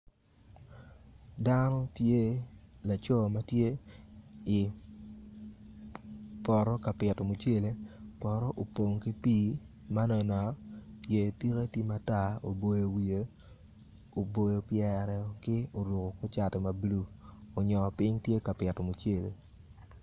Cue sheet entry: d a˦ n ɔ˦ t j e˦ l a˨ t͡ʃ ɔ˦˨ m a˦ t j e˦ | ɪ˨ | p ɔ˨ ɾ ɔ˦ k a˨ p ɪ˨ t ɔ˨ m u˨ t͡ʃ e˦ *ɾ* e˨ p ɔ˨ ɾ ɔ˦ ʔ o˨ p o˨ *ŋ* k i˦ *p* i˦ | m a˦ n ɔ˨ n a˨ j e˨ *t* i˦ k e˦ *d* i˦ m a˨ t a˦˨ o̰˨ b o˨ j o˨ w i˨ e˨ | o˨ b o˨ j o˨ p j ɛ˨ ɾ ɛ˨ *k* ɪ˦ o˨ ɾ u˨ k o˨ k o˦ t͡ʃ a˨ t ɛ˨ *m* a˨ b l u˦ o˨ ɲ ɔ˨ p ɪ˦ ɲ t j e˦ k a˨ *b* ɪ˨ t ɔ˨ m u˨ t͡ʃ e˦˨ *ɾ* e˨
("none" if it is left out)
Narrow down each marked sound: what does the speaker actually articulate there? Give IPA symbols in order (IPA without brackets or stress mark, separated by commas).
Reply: l, ŋ, p, t, t, k, m, p, l